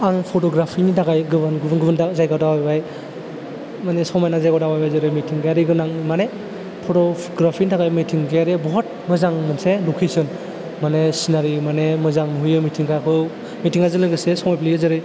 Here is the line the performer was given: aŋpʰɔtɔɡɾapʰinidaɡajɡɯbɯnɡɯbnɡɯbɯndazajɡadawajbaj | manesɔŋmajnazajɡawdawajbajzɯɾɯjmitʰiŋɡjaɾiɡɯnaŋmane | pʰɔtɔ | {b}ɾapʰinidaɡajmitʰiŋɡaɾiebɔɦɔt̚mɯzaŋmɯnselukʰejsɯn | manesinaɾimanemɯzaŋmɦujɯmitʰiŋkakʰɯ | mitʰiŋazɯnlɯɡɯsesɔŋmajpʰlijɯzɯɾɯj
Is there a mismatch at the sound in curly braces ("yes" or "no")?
yes